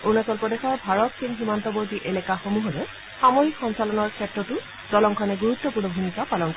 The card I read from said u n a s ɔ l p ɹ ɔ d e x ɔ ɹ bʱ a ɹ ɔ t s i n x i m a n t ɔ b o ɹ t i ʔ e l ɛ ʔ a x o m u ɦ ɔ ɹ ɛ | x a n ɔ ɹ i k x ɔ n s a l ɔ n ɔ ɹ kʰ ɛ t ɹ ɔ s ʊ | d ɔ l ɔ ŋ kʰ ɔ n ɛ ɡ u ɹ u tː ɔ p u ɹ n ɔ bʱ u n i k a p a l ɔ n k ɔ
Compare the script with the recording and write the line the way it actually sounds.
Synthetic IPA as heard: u n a s ɔ l p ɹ ɔ d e x ɔ ɹ bʱ a ɹ ɔ t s i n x i m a n t ɔ b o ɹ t i ʔ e l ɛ k a x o m u ɦ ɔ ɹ ɛ | x a m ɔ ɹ i k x ɔ n s a l ɔ n ɔ ɹ kʰ ɛ t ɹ ɔ t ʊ | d ɔ l ɔ ŋ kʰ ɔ n ɛ ɡ u ɹ u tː ɔ p u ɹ n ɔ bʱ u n i k a p a l ɔ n k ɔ